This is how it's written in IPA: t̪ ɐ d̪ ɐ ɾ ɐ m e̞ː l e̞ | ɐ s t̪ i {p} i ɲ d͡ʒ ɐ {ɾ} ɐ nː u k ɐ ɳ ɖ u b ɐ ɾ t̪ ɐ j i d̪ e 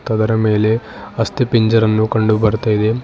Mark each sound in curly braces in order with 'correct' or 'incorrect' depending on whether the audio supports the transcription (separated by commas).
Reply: correct, correct